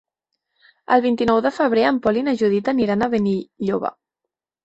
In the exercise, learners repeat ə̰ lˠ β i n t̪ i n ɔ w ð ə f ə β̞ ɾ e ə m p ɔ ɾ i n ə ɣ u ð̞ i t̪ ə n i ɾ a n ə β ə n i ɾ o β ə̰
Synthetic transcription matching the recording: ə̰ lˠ β i n t̪ i n ɔ w ð ə f ə β̞ ɾ e ə m p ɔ l i n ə ʒ u ð̞ i t̪ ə n i ɾ a n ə β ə n i ʎ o β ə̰

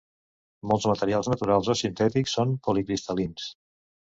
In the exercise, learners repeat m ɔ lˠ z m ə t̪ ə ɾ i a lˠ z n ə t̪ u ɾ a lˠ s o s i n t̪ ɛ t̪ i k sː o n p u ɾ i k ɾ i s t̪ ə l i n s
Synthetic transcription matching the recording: m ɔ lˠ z m ə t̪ ə ɾ i a lˠ z n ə t̪ u ɾ a lˠ z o s i n t̪ ɛ t̪ i k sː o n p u l i k ɾ i s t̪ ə l i n s

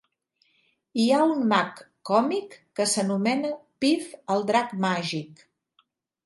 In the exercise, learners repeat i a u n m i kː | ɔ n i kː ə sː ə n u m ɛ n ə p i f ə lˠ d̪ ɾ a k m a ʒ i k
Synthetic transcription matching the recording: i a u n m a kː | ɔ m i kː ə s ə n u m ɛ n ə p i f ə lˠ d̪ ɾ a k m a ʒ i k

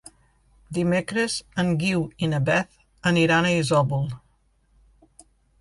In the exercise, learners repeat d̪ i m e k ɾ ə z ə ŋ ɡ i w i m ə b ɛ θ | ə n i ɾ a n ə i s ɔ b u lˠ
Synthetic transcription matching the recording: d̪ i m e k ɾ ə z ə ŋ ɡ i w i n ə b ɛ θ | ə n i ɾ a n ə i z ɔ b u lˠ

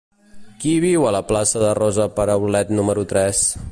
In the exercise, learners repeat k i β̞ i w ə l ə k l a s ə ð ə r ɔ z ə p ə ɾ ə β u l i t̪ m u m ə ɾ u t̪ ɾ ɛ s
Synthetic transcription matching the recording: k i β̞ i w ə l ə p l a s ə ð ə r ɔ z ə p ə ɾ ə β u l ɛ t̪ n u m ə ɾ u t̪ ɾ ɛ s

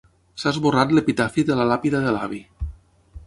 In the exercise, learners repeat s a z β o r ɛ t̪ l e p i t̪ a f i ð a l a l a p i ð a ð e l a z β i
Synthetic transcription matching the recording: s a z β o r a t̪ l e p i t̪ a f i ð e l a l a p i ð a ð e l a β i

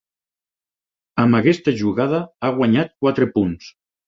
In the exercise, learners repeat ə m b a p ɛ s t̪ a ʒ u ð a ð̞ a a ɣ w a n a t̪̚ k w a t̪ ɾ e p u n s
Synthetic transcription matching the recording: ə m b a k ɛ s t̪ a ʒ u ɣ a ð̞ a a ɣ w a ɲ a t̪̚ k w a t̪ ɾ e p u n s

